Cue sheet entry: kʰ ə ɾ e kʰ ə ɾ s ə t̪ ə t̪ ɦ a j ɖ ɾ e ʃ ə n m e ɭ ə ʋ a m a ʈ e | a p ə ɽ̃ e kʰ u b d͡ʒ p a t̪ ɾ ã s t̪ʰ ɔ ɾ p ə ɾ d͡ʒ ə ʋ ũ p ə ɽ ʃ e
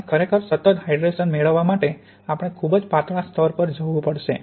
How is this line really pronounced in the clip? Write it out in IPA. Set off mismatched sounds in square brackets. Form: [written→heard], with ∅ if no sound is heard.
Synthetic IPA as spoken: kʰ ə ɾ e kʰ ə ɾ s ə t̪ ə t̪ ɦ a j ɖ ɾ e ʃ ə n m e ɭ ə [ʋ→ʋː] a m a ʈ e | a p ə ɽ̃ e kʰ u b d͡ʒ p a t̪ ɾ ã s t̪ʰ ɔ ɾ p ə ɾ d͡ʒ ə ʋ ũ p ə ɽ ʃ e